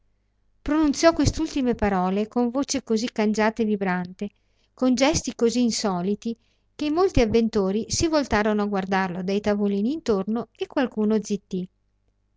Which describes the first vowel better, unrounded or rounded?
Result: rounded